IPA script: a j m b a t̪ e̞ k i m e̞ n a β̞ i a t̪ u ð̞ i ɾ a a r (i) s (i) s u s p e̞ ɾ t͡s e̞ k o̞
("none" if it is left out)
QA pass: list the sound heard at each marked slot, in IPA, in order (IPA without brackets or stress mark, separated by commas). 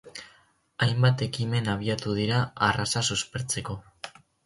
a, a